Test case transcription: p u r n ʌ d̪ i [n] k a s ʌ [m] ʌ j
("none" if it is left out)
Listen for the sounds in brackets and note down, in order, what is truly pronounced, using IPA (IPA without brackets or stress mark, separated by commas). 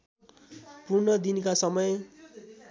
n, m